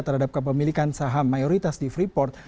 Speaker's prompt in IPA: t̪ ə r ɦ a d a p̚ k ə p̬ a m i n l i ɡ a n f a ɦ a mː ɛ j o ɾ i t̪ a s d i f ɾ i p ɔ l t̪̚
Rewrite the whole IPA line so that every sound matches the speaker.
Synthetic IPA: t̪ ə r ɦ a d a p̚ k ə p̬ ə m i l i k a n s a ɦ a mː a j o ɾ i t̪ a s d i f ɾ i p ɔ r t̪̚